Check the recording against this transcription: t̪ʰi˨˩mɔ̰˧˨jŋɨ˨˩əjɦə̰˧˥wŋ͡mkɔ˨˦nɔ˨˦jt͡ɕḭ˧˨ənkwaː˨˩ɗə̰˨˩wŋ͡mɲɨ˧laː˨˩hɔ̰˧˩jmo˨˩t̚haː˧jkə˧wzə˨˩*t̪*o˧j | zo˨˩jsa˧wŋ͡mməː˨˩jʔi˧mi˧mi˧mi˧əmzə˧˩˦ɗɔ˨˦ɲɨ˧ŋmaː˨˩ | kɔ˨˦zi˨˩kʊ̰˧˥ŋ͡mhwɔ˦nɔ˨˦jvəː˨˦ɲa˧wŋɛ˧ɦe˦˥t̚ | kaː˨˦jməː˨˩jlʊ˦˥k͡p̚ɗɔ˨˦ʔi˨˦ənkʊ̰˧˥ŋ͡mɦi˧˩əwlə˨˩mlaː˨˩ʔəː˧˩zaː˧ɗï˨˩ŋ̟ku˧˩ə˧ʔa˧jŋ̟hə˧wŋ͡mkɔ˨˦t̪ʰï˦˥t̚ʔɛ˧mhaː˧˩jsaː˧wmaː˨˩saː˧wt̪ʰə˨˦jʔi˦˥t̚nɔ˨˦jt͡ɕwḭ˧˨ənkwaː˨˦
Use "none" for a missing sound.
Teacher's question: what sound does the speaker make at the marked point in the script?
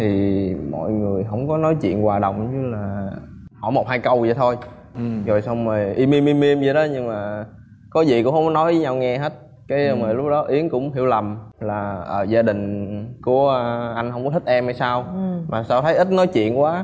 t̪ʰ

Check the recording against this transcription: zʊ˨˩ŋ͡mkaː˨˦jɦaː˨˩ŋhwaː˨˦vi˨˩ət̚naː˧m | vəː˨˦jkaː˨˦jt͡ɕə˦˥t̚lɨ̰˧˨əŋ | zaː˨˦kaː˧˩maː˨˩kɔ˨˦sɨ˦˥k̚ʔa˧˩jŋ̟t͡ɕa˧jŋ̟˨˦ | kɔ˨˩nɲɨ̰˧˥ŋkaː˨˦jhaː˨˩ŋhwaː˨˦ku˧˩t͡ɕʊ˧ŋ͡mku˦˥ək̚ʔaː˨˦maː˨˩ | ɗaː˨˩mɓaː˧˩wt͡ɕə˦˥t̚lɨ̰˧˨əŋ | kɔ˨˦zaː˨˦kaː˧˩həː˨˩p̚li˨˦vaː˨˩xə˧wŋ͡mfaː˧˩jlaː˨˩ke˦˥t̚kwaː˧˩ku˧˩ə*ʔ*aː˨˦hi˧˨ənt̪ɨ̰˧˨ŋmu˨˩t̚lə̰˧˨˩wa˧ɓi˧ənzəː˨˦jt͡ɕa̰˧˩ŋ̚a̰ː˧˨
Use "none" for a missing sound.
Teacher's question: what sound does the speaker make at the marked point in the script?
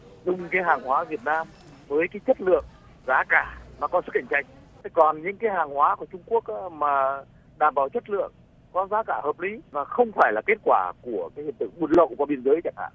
k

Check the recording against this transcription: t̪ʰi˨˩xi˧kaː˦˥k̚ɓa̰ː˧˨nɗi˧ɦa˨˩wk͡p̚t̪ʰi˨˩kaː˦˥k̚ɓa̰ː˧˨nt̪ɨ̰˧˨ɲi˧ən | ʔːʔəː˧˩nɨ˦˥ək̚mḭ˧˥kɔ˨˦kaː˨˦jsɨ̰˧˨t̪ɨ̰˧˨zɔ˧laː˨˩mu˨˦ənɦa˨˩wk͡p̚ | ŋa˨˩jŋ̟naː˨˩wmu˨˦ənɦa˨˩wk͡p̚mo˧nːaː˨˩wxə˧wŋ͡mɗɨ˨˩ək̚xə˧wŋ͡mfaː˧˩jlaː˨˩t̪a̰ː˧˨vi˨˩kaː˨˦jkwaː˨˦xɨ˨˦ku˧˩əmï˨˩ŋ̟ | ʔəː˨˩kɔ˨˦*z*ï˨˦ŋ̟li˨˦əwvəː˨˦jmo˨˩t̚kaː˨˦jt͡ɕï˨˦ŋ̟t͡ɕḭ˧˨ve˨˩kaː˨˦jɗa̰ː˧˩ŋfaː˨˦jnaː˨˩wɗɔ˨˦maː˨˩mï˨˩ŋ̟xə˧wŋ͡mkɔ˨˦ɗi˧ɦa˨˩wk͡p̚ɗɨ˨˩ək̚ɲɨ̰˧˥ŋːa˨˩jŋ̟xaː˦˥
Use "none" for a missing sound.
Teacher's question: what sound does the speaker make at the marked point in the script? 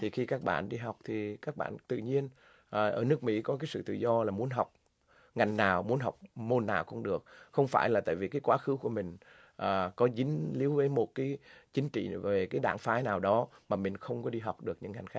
z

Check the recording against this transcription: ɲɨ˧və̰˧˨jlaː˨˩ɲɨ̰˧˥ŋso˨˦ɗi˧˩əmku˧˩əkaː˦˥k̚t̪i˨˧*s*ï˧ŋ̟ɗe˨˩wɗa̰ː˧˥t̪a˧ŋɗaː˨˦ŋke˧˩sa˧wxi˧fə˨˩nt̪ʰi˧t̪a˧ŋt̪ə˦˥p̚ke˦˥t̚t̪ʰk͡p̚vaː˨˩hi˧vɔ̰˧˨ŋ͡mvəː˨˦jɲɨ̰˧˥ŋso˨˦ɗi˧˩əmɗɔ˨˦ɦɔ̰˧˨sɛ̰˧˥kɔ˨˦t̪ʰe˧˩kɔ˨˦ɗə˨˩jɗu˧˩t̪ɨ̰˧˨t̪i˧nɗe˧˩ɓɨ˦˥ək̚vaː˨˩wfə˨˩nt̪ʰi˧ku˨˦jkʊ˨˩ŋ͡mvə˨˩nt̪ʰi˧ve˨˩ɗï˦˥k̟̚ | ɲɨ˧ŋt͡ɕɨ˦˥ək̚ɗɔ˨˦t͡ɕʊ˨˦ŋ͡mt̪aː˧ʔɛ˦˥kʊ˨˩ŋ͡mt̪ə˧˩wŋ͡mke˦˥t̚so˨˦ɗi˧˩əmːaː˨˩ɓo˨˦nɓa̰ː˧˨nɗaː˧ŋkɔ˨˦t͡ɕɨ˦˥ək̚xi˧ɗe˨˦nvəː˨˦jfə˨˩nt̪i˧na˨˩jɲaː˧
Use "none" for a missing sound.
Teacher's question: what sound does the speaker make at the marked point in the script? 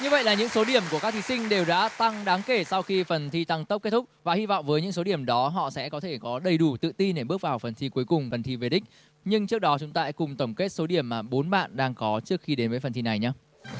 s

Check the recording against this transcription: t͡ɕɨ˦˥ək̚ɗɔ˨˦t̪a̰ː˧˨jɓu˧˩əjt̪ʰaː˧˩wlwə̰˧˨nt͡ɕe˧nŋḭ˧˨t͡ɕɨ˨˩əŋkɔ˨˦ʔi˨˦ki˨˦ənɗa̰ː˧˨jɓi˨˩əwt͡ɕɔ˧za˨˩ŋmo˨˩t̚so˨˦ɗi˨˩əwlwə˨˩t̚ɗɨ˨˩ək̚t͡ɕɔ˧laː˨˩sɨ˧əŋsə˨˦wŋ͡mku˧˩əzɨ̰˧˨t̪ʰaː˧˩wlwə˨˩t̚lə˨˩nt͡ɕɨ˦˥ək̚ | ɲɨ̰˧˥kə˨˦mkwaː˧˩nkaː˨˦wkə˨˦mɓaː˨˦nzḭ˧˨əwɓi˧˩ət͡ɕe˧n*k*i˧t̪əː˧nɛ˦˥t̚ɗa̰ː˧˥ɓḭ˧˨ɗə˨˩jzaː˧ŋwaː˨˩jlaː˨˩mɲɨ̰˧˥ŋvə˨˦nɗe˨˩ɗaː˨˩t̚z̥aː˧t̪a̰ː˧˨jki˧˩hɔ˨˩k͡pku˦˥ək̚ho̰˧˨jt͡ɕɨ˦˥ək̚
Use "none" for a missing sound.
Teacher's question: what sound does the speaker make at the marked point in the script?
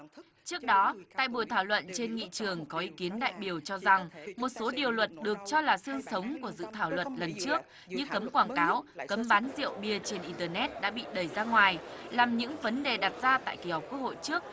ʔ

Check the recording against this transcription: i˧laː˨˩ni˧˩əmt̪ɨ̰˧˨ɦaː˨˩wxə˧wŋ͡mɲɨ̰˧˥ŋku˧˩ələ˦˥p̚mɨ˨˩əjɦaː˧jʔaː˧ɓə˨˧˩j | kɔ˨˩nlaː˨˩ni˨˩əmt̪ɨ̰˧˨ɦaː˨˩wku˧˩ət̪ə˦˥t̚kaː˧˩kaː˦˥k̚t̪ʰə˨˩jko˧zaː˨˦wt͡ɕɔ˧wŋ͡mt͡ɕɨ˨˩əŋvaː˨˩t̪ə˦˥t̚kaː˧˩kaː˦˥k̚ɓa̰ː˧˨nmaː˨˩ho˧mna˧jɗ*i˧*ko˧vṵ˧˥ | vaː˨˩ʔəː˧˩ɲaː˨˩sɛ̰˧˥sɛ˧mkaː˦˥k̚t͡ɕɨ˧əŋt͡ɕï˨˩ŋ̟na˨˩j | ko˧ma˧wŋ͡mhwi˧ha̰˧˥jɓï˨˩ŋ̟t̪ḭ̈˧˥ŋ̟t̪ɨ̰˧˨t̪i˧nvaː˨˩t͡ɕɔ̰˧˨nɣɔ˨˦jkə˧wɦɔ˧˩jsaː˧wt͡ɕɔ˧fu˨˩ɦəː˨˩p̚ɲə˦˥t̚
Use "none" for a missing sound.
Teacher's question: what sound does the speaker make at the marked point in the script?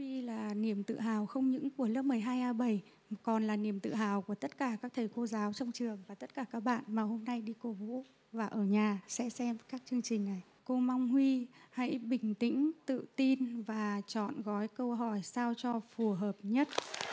i˧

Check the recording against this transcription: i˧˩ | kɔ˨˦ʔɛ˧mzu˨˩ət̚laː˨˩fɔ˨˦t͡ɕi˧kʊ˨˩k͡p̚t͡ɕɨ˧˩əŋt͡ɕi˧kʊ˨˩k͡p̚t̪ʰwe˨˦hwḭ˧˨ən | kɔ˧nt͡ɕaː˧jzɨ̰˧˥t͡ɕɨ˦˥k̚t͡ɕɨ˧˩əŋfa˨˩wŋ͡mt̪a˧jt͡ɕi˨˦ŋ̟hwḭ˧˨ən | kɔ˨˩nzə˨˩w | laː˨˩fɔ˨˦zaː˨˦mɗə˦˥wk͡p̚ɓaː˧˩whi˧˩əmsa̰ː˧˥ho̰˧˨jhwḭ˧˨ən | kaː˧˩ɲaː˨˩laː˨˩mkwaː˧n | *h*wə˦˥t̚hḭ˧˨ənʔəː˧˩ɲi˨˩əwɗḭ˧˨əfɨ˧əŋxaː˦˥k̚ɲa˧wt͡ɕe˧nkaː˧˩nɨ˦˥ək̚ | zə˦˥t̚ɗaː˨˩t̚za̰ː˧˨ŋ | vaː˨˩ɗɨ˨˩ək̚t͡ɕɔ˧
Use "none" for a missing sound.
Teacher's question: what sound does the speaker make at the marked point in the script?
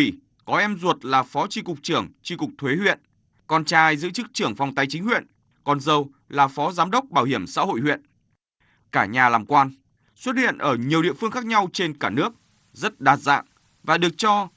s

